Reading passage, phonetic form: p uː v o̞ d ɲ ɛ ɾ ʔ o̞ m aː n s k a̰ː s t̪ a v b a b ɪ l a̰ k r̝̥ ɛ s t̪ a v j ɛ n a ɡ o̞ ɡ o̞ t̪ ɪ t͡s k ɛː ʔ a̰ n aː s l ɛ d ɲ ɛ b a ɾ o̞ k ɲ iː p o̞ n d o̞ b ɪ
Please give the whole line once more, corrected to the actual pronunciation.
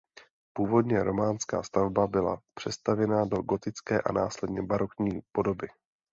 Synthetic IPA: p uː v o̞ d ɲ ɛ ɾ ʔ o̞ m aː n s k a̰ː s t̪ a v b a b ɪ l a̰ p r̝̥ ɛ s t̪ a v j ɛ n a d o̞ ɡ o̞ t̪ ɪ t͡s k ɛː ʔ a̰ n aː s l ɛ d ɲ ɛ b a ɾ o̞ k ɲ iː p o̞ d o̞ b ɪ